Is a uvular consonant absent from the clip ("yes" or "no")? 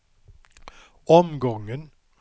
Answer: yes